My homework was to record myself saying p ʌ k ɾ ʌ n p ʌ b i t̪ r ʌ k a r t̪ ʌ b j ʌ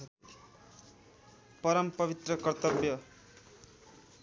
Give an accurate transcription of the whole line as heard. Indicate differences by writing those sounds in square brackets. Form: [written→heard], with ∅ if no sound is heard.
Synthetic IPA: p ʌ [k→∅] ɾ ʌ [n→m] p ʌ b i t̪ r ʌ k [a→ʌ] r t̪ ʌ b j ʌ